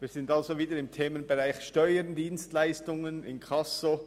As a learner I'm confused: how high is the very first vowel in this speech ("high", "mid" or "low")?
high